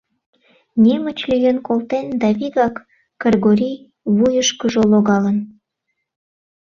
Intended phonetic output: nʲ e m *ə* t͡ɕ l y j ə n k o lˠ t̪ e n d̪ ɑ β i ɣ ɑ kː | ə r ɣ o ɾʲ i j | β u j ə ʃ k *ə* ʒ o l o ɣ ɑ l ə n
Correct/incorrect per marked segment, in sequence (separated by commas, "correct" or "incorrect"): correct, correct